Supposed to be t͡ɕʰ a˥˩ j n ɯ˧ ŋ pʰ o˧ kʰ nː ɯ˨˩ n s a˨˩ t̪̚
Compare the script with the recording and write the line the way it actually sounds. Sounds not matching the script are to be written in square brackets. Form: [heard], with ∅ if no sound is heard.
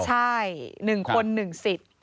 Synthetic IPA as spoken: t͡ɕʰ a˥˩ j n [ɯ˨˩] ŋ [kʰ] o˧ [∅] nː ɯ˨˩ [ŋ] s [i˨˩] t̪̚